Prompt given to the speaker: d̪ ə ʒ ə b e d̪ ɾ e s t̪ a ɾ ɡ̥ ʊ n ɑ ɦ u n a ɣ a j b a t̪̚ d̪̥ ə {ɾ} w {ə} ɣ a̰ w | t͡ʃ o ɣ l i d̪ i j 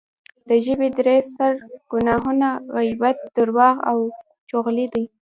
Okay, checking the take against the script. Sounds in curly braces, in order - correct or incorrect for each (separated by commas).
correct, incorrect